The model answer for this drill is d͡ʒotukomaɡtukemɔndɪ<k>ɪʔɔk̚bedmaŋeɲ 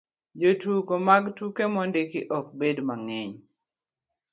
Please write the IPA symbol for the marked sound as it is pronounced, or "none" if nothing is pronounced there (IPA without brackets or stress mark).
k